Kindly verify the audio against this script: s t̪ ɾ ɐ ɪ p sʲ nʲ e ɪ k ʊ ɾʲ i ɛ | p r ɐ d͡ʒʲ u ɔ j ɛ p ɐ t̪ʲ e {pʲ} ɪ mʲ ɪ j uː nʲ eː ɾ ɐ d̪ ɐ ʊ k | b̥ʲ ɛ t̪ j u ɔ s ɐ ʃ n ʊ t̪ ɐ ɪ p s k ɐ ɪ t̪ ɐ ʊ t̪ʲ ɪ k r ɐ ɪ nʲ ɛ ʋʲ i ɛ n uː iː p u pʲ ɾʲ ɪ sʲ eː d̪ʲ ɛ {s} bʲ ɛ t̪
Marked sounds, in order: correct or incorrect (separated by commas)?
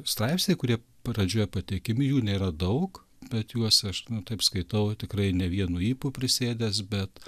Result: incorrect, correct